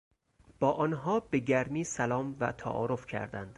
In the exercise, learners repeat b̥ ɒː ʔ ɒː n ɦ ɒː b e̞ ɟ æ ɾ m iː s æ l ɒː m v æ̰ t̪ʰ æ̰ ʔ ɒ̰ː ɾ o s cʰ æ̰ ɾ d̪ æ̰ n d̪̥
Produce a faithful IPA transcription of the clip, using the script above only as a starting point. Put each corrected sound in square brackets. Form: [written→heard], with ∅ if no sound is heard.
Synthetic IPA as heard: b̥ ɒː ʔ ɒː n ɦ ɒː b e̞ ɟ æ ɾ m iː s æ l ɒː m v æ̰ t̪ʰ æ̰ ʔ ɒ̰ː ɾ o [s→f] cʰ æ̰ ɾ d̪ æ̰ n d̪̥